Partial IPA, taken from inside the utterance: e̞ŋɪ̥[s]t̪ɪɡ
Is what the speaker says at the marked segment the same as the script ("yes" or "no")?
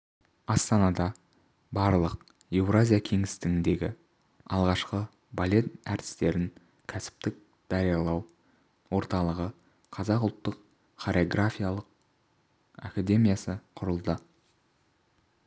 yes